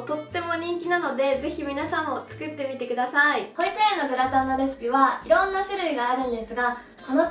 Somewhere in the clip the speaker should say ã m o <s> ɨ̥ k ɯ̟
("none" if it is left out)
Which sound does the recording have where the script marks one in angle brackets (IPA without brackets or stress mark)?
t͡s